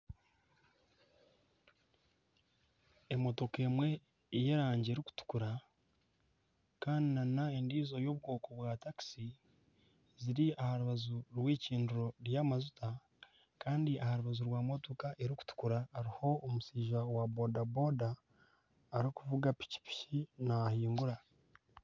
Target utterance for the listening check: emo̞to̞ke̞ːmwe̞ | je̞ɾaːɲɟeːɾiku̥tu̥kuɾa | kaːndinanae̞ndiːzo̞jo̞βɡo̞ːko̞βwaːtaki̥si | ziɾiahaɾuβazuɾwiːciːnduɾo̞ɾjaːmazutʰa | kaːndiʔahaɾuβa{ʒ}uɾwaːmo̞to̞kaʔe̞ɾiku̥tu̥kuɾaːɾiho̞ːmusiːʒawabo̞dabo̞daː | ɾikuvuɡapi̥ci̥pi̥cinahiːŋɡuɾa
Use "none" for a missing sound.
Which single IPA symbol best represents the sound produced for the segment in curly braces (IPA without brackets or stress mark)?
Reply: z